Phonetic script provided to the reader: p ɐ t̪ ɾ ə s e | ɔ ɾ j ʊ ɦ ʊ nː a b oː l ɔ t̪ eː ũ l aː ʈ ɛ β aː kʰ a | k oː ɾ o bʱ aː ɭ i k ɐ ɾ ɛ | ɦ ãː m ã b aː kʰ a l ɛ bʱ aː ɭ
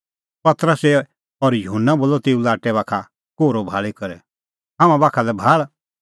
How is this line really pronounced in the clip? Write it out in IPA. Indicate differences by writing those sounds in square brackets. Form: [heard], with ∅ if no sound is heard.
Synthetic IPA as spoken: p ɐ t̪ ɾ ə s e | ɔ ɾ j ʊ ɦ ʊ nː a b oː l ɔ t̪ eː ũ l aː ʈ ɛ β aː kʰ a | k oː ɾ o bʱ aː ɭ i k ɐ ɾ ɛ | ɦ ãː m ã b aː kʰ a l ɛ bʱ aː ɭ